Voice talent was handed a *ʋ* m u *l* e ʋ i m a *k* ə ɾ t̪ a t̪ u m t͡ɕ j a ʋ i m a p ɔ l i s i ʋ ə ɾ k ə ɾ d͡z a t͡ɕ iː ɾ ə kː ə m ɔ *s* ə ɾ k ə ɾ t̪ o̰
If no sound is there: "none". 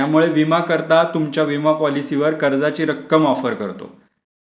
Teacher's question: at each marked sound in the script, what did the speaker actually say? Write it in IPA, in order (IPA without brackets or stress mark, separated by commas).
none, ɭ, k, f